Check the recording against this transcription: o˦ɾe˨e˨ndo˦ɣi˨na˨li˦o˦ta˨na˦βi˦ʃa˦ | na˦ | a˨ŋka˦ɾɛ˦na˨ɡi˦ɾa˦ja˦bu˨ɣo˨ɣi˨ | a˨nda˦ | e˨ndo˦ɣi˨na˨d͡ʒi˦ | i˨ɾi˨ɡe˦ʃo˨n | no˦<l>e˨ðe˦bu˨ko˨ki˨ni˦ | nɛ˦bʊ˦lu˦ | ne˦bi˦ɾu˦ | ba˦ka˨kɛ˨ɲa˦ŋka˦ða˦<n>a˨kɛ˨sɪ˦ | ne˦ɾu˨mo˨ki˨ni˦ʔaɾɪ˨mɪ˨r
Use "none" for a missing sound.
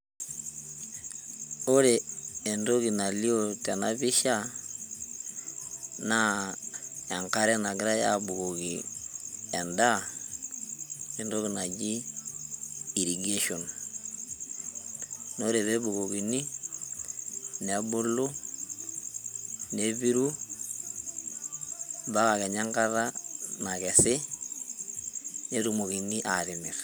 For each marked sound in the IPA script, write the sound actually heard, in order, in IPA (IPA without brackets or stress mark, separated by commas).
ɾ, n